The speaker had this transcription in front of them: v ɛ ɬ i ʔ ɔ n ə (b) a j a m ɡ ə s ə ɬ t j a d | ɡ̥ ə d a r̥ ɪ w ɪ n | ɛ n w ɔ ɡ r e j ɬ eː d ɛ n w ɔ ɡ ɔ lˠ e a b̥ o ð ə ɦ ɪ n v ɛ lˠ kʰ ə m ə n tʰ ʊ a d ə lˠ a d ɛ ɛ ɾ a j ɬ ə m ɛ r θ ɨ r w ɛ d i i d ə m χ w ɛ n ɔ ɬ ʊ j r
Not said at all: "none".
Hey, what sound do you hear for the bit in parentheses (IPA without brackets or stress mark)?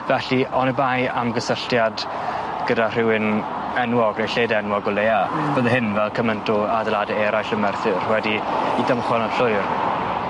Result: b